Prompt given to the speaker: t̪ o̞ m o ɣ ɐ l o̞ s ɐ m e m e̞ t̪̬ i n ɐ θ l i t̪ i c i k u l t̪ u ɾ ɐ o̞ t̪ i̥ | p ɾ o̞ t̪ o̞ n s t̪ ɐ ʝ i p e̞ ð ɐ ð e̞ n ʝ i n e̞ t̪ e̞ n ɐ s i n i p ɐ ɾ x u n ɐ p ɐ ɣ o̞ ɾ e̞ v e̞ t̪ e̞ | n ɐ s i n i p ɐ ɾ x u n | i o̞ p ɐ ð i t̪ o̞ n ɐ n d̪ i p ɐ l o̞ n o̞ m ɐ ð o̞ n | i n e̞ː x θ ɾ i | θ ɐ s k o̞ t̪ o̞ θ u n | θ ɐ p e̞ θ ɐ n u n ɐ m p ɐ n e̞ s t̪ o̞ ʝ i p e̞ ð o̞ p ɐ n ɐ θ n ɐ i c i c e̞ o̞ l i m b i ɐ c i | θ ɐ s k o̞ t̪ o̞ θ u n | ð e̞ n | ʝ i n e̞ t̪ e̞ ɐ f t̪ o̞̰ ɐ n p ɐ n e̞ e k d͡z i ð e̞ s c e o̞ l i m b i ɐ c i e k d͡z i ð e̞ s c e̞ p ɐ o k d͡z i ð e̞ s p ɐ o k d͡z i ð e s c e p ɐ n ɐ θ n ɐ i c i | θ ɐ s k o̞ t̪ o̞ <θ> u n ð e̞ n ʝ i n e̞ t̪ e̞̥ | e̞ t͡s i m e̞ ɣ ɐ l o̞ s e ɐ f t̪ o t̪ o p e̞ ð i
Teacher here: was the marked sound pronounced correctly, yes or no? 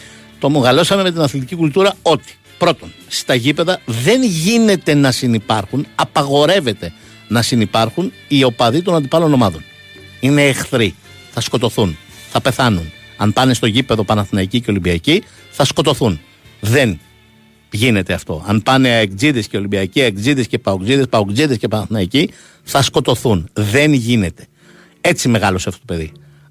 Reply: yes